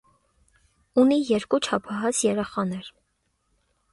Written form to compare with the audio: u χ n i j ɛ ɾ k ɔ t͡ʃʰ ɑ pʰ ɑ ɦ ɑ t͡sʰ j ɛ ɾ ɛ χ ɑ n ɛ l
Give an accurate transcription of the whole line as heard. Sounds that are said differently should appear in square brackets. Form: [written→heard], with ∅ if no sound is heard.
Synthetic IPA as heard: u [χ→∅] n i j ɛ ɾ k [ɔ→u] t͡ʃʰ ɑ pʰ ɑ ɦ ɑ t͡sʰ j ɛ ɾ ɛ χ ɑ n ɛ [l→ɾ]